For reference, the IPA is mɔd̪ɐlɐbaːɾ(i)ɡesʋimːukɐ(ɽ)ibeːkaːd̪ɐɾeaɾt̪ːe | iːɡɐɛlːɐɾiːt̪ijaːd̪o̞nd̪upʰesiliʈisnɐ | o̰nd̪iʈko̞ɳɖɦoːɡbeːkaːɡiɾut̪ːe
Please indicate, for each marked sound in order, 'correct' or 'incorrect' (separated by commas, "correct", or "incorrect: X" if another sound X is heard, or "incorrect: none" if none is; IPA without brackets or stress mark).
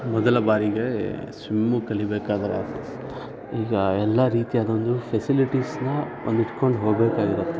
correct, incorrect: ɭ